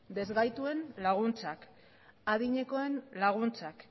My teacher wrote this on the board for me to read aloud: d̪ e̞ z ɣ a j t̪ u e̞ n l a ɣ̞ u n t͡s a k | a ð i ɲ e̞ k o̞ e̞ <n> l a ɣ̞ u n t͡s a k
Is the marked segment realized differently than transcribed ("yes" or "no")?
no